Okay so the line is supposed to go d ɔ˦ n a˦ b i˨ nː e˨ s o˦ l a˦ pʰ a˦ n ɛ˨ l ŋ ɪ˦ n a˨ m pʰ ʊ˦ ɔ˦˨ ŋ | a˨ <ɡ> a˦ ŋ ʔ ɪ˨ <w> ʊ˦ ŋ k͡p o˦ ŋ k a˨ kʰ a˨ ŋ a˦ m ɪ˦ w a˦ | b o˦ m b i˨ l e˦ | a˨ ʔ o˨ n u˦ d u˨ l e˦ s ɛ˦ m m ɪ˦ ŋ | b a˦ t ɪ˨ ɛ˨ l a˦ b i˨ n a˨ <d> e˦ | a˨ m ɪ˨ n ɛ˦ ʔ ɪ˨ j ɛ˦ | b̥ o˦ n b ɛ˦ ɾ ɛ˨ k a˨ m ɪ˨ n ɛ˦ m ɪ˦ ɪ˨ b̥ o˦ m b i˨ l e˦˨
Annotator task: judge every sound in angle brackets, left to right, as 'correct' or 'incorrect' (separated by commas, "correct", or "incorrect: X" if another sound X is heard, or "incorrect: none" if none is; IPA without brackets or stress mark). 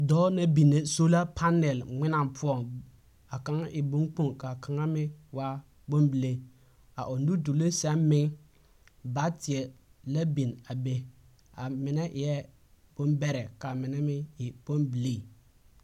incorrect: k, incorrect: b, incorrect: b